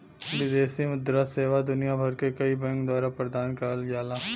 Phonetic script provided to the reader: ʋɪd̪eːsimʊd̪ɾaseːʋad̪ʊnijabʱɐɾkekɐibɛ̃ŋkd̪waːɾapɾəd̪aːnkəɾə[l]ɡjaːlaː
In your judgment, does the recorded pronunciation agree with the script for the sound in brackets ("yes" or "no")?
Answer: yes